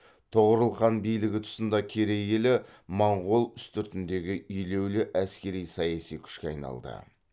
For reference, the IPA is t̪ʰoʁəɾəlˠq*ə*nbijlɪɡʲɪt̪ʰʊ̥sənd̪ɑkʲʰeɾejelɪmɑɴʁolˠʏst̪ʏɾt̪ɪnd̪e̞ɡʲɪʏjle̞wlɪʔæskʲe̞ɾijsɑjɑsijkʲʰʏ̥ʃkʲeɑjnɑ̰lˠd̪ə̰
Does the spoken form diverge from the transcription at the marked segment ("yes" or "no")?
yes